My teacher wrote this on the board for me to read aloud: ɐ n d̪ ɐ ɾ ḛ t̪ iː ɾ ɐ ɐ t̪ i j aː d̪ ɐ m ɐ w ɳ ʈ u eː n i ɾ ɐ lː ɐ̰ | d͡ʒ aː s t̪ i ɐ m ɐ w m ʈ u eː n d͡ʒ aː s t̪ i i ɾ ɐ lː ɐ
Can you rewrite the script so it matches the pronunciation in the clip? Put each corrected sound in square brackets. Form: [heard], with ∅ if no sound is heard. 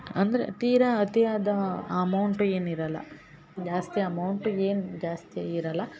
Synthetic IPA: ɐ n d̪ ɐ ɾ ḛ t̪ iː ɾ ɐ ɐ t̪ i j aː d̪ ɐ m ɐ w ɳ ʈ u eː n i ɾ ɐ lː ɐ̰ | d͡ʒ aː s t̪ i ɐ m ɐ w [ɳ] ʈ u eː n d͡ʒ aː s t̪ i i ɾ ɐ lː ɐ